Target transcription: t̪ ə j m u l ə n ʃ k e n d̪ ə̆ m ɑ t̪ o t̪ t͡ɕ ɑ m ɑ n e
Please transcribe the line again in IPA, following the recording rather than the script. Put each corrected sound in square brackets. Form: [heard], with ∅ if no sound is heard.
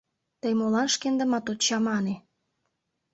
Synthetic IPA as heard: t̪ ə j m [o] l [ɑ] n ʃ k e n d̪ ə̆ m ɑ t̪ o t̪ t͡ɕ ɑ m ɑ n e